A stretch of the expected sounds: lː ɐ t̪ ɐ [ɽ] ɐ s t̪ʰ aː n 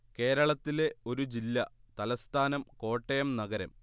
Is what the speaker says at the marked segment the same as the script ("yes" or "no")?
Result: no